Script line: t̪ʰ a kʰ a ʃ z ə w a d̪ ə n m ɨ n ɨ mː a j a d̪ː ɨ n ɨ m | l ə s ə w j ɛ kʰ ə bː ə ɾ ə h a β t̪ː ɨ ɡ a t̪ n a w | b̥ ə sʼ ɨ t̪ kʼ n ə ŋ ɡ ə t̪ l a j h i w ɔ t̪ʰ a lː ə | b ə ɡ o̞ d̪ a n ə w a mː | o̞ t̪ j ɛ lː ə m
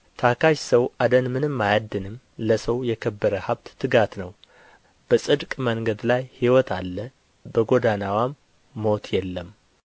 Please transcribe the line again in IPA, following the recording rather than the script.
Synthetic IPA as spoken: t̪ʰ a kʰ a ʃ s ə w a d̪ ə n m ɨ n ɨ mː a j a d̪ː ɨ n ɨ m | l ə s ə w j ɛ kʰ ə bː ə ɾ ə h a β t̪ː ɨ ɡ a t̪ n ə w | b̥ ə sʼ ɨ d̪ kʼ m ə ŋ ɡ ə d̪ l a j h i w ɔ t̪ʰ a lː ə | b ə ɡ o̞ d̪ a n a w a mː | o̞ t̪ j ɛ lː ə m